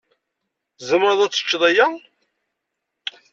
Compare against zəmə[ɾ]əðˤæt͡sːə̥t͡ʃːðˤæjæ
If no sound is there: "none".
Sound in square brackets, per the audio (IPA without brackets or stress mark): ɾ